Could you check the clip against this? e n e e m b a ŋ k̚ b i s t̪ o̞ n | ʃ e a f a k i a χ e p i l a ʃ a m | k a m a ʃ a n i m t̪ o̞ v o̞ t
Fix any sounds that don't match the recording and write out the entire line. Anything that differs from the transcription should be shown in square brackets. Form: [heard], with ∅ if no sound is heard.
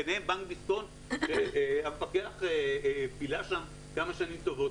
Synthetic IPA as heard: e n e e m b a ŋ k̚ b i s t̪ o̞ n | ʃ e a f a k [e] a χ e p i l a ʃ a m | k a m a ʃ a n i m t̪ o̞ v o̞ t

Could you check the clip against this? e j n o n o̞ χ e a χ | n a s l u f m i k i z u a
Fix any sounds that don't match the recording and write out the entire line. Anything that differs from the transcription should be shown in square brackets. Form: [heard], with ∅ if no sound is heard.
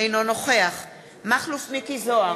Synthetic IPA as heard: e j n o n o̞ χ e a χ | [m] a [χ] l u f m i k i z [o] a

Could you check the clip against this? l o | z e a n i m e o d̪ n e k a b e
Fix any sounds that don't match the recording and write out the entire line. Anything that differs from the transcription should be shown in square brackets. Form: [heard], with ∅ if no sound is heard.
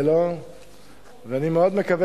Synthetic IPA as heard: l o | [v] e a n i m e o d̪ [m] e k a [v] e

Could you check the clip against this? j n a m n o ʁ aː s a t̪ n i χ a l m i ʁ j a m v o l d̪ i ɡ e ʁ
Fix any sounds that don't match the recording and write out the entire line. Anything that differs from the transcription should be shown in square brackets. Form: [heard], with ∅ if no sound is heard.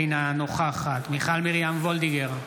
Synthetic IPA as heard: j n a [∅] n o [χ] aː [χ] a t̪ [m] i χ a l m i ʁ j a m v o l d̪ i ɡ e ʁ

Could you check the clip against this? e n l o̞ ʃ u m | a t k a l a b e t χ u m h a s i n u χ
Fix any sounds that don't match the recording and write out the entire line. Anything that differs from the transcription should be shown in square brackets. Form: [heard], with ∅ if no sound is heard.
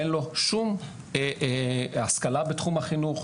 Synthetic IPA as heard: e n l o̞ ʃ u m | a [s] k a l a b e t χ u m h a [χ] i n u χ

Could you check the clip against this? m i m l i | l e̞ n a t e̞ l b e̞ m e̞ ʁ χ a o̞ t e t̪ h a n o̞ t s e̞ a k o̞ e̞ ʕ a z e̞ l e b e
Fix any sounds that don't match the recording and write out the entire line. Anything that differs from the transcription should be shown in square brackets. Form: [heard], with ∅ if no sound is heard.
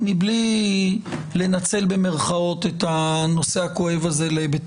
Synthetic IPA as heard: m i [b] l i | l e̞ n a [t͡s] e̞ l b e̞ m e̞ ʁ χ a o̞ t e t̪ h a n o̞ [∅] s e̞ a k o̞ e̞ [v] a z e̞ l e b e

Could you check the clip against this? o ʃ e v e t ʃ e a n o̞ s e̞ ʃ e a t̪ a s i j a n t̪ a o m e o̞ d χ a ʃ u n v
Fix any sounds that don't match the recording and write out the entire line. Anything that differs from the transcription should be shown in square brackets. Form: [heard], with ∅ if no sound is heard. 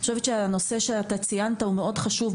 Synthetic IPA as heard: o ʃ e v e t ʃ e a n o̞ s e̞ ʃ e a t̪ a [t͡s] i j a n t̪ a [u] m e o̞ d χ a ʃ u [∅] v

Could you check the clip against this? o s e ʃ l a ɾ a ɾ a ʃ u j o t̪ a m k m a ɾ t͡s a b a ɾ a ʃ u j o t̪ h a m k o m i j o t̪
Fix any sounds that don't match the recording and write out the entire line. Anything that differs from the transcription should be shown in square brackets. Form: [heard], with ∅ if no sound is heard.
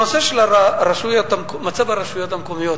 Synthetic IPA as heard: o s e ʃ l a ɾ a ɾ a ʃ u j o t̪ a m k m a [∅] t͡s a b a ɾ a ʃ u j o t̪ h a m k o m i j o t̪

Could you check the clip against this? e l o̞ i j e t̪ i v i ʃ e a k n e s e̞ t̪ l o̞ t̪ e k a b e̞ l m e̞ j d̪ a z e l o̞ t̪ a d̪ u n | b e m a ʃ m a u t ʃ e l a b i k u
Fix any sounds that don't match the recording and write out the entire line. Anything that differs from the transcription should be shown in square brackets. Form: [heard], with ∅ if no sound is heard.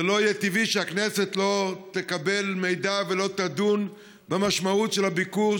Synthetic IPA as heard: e l o̞ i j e t̪ i v i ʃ e a k n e s e̞ t̪ l o̞ t̪ e k a b e̞ l m e̞ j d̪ a [v] e l o̞ t̪ a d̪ u n | b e m a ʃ m a u t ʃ e l a b i k u

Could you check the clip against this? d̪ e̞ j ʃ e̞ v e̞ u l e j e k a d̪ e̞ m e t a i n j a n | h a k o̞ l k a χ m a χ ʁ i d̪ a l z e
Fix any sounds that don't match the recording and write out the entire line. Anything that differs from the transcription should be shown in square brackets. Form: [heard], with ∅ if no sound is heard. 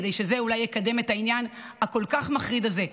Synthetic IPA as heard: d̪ e̞ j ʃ e̞ [z] e̞ u l [a] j e k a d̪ e̞ m e t a i n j a n | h a k o̞ l k a χ m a χ ʁ i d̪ a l z e

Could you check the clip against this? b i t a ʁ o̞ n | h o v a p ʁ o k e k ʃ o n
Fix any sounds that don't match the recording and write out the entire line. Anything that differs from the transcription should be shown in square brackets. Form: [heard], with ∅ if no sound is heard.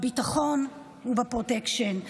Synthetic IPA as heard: b i t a [χ] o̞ n | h [u] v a p ʁ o [t] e k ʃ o n

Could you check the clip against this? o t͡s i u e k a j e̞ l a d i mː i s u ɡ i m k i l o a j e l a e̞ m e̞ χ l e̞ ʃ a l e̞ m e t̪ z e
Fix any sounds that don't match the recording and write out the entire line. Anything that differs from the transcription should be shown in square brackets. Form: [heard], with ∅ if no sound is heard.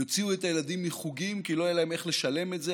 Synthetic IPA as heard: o t͡s i u e [t] a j e̞ l a d i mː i [χ] u ɡ i m k i l o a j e l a e̞ m e̞ χ l e̞ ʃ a l e̞ m e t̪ z e

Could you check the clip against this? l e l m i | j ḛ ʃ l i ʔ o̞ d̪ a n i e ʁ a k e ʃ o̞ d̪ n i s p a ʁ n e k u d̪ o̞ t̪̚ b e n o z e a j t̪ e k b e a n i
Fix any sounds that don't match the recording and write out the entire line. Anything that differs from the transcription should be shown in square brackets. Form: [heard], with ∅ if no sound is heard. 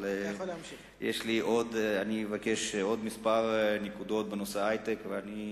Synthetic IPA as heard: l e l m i | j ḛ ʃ l i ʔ o̞ d̪ a n i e [v] a k e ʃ o̞ d̪ [m] i s p a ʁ n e k u d̪ o̞ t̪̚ b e n o [s] e a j t̪ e k [v] e a n i

